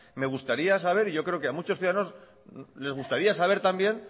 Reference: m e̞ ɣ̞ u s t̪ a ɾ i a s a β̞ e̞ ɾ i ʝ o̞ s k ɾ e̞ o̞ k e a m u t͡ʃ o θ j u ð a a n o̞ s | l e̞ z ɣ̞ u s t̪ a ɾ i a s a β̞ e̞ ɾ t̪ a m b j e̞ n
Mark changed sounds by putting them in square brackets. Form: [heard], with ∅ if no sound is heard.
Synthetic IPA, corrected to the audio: m e̞ ɣ̞ u s t̪ a ɾ i a s a β̞ e̞ ɾ i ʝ o̞ [∅] k ɾ e̞ o̞ k e a m u t͡ʃ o θ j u ð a a n o̞ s | l e̞ z ɣ̞ u s t̪ a ɾ i a s a β̞ e̞ ɾ t̪ a m b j e̞ n